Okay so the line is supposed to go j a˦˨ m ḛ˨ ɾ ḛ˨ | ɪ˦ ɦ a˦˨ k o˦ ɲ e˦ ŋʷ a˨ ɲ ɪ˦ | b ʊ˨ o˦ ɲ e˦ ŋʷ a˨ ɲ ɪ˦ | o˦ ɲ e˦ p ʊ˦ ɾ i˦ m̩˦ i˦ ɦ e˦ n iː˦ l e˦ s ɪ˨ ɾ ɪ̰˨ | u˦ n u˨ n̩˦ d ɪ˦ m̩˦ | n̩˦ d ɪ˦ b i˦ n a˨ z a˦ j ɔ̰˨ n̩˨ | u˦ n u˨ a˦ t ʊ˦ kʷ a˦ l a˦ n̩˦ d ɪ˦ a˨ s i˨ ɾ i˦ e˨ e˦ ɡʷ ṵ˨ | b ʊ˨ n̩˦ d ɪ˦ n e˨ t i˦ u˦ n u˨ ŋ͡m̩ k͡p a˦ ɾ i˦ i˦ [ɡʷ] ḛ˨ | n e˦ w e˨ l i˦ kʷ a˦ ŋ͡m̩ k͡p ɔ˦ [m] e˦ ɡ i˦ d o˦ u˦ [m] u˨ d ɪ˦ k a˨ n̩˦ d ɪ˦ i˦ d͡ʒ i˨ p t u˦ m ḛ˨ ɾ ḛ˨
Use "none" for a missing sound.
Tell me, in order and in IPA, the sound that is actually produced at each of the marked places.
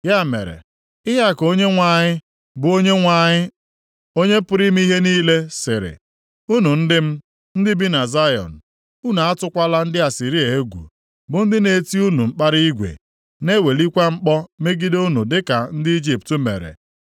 ɡʷ, m, n

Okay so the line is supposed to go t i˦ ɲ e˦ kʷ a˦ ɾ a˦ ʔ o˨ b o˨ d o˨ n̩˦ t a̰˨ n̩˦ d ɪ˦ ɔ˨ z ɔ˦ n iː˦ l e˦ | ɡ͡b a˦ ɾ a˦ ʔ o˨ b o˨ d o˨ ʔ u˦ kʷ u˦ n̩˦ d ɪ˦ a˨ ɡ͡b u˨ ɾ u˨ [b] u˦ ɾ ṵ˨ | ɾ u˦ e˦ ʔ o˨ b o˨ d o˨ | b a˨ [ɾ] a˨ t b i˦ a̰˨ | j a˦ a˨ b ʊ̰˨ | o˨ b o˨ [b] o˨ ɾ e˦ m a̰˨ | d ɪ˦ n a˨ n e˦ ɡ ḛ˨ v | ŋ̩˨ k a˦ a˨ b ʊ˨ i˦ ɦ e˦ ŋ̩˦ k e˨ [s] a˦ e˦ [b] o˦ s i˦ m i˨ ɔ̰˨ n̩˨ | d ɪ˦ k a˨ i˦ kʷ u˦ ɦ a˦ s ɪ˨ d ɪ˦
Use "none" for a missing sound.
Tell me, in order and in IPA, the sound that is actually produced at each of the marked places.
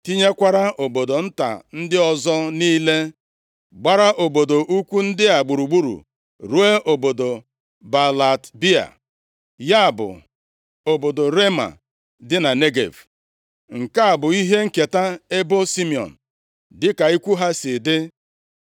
ɡ͡b, l, d, t, b

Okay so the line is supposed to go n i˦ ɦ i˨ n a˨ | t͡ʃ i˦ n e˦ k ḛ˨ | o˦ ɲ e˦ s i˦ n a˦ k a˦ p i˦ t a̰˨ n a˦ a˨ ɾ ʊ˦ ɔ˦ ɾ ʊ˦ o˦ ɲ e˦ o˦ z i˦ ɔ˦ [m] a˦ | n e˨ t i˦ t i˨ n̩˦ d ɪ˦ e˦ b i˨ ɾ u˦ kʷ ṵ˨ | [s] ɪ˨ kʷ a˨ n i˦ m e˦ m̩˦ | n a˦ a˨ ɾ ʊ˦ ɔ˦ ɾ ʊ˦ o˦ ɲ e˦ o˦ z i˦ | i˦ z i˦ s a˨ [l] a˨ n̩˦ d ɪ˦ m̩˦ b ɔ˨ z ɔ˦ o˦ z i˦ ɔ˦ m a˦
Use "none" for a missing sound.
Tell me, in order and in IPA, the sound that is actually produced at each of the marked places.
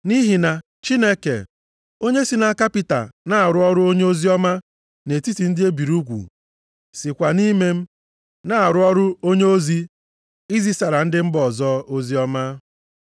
m, s, ɾ

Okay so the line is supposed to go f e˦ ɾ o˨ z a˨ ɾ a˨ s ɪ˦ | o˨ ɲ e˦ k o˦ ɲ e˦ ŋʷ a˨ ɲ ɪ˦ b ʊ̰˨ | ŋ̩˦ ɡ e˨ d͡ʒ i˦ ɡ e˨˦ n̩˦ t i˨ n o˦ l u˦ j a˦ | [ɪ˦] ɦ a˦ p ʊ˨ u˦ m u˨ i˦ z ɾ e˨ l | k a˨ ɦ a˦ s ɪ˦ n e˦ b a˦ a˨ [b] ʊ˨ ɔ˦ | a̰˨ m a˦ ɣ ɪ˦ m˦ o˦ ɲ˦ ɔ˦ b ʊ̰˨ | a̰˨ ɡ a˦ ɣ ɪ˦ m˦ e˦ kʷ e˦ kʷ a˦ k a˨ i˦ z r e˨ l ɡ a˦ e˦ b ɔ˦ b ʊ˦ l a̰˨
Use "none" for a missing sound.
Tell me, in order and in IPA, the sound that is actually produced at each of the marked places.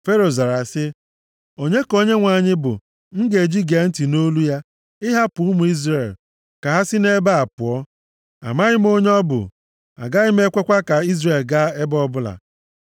ɪ˦, p

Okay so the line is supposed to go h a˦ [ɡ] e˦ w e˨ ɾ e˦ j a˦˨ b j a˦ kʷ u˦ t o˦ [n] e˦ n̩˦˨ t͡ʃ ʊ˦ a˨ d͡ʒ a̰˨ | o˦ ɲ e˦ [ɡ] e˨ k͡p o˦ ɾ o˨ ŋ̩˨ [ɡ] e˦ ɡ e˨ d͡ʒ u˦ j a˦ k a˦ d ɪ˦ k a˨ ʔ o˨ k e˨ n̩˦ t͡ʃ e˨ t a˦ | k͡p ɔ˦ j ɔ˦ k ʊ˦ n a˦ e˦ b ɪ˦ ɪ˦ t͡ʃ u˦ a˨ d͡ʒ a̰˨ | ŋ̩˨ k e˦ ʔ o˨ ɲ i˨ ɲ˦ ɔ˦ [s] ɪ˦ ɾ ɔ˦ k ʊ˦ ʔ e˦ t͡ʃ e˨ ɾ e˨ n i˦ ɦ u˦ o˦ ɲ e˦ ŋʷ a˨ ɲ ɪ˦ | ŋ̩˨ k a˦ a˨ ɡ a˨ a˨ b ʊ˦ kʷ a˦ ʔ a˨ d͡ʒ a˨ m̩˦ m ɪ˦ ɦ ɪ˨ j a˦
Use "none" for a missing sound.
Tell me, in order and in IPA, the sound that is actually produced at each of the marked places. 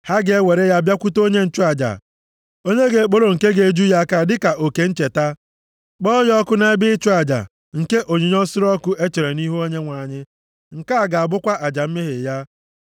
ɡ, ɲ, ɡ, k, s

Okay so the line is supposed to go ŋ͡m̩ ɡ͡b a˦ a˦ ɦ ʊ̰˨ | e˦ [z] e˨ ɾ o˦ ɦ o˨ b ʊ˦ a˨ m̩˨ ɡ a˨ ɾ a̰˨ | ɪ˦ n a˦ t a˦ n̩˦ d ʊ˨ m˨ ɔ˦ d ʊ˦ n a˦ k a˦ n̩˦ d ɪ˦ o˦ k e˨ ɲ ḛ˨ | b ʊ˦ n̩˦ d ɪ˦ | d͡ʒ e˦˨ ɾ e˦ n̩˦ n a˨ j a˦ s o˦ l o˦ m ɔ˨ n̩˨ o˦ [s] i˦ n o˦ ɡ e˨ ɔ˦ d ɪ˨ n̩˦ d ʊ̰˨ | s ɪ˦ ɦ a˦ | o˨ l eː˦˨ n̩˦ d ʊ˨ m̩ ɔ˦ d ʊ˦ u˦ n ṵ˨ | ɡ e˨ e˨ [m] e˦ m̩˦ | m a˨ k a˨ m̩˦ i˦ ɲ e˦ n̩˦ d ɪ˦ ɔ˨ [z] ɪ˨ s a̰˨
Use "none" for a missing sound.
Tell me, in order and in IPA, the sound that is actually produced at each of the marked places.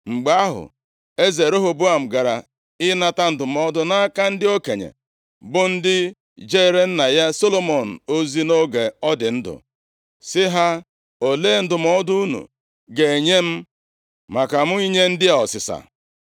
z, z, ɲ, s

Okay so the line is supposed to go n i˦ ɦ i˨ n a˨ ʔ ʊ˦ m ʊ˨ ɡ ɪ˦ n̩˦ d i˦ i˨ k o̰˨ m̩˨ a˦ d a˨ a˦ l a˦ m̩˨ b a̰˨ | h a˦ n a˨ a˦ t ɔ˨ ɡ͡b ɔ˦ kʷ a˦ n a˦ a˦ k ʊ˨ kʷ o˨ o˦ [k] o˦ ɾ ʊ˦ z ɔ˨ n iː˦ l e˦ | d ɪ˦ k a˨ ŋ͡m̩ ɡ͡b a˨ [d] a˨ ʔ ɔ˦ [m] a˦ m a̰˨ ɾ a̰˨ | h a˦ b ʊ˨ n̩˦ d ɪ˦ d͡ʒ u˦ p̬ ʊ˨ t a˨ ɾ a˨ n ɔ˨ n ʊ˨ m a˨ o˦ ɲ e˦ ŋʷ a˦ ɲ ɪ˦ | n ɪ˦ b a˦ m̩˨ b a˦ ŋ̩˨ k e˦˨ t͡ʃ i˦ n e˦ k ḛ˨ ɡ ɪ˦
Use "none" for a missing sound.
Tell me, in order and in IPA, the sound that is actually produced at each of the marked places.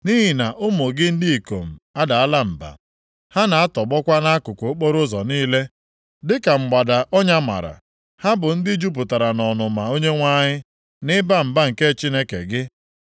k͡p, d, ɲ

